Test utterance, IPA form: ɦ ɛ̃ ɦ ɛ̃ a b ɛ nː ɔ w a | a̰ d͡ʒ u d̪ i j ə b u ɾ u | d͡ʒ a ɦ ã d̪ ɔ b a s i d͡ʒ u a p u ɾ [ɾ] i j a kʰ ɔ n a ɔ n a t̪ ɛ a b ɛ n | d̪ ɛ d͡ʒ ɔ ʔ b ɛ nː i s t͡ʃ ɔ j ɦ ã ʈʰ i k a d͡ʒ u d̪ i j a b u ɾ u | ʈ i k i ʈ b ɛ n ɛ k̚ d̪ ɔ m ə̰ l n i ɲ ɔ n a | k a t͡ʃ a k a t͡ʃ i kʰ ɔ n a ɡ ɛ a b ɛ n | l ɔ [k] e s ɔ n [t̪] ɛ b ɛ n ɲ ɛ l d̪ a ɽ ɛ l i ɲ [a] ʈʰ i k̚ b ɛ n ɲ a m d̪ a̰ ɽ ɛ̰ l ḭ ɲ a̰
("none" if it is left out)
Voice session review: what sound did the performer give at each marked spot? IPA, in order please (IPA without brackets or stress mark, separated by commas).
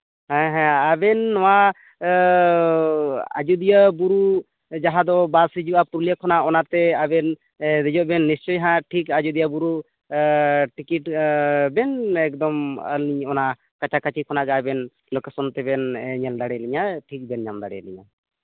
l, k, t̪, a